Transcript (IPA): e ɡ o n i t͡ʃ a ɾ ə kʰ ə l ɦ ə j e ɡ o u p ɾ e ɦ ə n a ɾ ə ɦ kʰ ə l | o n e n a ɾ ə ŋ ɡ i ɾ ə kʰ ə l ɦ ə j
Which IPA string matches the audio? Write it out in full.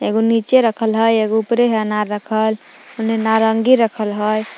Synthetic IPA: e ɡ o n i t͡ʃ e ɾ ə kʰ ə l ɦ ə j e ɡ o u p ɾ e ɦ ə n a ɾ ə kʰ ə l | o n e n a ɾ ə ŋ ɡ i ɾ ə kʰ ə l ɦ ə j